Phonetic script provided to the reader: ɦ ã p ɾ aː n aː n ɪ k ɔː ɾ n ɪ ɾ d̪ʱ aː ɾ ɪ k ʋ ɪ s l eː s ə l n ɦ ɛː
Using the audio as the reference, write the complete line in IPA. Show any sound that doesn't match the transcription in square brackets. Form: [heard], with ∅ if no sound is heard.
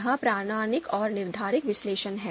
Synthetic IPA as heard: ɦ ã p ɾ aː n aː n ɪ k ɔː ɾ n ɪ ɾ d̪ʱ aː ɾ ɪ k ʋ ɪ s l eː [ʃ] ə [∅] n ɦ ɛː